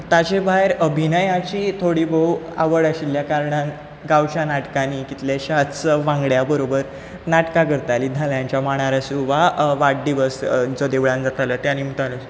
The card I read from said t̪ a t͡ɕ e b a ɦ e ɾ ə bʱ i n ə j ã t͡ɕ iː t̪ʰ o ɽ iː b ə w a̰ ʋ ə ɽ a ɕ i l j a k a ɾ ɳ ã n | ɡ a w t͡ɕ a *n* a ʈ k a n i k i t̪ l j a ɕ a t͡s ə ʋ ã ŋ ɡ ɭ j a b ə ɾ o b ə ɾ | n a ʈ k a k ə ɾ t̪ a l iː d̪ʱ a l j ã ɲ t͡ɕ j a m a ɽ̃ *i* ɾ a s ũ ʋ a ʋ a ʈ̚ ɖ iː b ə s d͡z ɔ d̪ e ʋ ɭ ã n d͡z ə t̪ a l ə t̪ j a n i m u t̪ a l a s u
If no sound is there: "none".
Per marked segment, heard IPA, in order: n, a

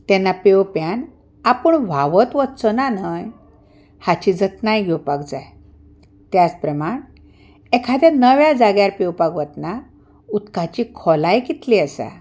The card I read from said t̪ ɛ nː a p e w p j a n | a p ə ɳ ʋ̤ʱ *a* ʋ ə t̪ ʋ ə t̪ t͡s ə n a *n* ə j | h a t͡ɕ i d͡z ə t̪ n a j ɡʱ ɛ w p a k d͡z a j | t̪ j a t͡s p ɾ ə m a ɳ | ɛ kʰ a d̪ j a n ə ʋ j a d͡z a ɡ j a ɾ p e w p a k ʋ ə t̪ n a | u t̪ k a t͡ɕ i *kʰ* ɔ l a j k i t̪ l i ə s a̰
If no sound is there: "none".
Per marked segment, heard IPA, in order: a, n, kʰ

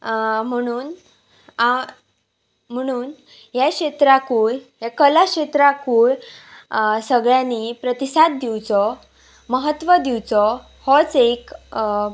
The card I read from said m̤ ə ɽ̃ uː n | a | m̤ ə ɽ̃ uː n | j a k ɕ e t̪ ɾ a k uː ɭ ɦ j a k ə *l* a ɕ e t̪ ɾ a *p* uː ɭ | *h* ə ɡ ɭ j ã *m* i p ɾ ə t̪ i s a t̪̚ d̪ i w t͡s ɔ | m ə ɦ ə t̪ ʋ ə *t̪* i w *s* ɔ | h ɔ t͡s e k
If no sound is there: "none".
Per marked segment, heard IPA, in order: l, k, s, n, d̪, t͡s

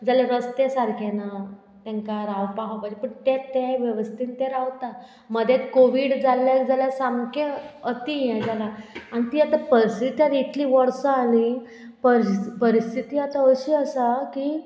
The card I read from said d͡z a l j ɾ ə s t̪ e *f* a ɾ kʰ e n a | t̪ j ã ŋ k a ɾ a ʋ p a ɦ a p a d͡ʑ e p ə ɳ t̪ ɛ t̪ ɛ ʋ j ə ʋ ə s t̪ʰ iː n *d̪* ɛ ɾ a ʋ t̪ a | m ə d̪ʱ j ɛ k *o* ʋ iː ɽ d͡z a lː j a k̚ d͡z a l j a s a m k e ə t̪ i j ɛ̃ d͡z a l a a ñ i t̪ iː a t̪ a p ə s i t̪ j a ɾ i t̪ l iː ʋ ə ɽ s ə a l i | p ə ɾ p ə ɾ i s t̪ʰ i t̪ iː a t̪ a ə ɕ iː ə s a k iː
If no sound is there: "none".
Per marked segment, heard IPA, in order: s, t̪, o

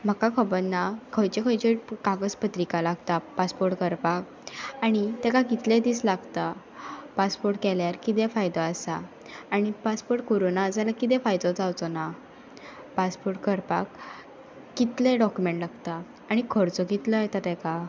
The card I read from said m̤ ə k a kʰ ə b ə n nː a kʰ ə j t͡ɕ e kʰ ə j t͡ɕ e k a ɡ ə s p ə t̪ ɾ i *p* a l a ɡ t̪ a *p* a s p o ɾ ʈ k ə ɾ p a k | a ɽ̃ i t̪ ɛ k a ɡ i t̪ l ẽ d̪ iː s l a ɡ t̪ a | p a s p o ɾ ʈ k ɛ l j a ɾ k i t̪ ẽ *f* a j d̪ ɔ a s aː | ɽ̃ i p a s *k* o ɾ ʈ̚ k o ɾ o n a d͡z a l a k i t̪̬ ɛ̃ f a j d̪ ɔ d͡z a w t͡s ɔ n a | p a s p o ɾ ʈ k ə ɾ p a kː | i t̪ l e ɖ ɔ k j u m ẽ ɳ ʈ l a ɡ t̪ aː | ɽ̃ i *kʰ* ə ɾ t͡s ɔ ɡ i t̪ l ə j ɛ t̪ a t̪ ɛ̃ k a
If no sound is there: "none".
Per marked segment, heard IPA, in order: k, p, f, p, kʰ

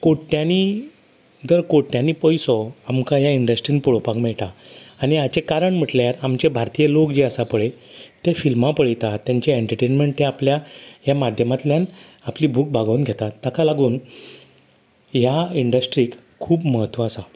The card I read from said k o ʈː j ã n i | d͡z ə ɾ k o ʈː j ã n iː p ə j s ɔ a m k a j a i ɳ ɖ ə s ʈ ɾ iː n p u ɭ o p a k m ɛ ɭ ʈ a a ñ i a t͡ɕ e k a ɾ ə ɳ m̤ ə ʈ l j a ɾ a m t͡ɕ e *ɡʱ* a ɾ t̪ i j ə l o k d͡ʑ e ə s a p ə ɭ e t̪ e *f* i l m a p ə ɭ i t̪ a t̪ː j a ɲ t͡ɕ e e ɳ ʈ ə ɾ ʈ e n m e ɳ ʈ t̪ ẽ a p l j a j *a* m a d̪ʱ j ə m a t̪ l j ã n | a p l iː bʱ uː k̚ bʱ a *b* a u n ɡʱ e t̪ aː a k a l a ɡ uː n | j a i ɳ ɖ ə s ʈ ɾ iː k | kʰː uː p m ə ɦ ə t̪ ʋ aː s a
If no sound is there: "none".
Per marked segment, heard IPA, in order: bʱ, f, a, ɡ

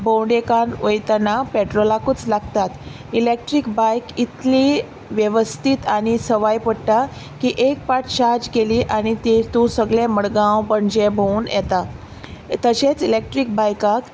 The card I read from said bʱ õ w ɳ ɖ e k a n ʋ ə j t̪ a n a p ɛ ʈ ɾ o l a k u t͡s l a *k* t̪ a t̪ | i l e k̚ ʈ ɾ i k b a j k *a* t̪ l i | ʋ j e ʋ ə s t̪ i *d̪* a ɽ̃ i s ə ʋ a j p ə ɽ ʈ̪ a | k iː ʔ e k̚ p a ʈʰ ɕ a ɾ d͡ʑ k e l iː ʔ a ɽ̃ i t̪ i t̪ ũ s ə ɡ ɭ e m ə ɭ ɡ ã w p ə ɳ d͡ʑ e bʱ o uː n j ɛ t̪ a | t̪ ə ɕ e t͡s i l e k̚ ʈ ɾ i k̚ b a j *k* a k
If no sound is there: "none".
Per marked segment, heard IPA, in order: ɡ, i, t̪, k

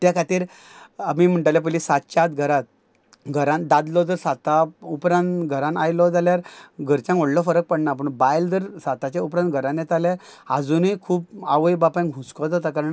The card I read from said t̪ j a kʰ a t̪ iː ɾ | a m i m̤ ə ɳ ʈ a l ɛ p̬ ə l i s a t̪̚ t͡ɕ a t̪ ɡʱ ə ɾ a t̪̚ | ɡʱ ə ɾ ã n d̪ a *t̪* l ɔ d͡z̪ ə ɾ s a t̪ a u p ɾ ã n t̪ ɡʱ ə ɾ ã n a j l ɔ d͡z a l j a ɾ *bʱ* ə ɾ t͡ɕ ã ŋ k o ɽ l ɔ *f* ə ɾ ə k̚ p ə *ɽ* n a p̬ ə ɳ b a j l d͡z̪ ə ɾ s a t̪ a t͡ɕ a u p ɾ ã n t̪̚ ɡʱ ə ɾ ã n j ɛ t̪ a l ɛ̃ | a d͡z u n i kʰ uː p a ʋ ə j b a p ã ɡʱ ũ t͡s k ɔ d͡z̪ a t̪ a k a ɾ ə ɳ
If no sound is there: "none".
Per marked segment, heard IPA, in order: d̪, ɡʱ, f, ɽ

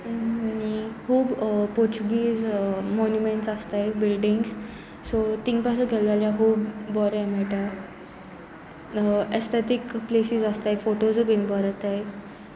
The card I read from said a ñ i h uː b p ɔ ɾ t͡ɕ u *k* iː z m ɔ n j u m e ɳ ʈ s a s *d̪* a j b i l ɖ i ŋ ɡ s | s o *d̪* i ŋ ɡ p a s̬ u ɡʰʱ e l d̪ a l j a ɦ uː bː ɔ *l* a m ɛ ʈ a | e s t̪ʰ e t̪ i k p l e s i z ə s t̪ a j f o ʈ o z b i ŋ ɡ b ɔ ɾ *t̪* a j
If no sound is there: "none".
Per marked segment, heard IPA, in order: ɡ, t̪, t̪, ɾ, t̪

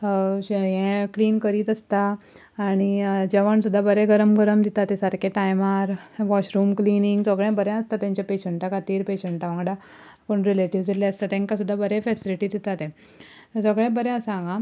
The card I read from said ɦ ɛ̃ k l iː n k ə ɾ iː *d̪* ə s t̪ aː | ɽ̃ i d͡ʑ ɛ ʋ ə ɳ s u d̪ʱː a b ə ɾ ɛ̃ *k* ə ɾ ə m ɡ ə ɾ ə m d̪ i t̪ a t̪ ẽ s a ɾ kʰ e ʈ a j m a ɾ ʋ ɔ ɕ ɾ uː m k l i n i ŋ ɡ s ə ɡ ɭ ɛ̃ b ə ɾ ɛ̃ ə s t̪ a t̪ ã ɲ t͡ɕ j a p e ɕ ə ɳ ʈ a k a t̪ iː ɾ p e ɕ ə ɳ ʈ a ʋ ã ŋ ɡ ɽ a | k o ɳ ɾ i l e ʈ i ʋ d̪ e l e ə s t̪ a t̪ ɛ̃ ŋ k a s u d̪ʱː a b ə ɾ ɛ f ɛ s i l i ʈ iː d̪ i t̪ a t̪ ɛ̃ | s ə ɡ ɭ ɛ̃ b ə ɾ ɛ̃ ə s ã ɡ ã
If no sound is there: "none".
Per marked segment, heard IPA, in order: t̪, ɡ

